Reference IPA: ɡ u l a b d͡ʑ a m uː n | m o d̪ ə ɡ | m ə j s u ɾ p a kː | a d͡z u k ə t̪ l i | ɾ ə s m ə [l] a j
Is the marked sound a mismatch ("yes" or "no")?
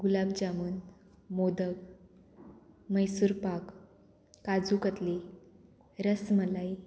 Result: no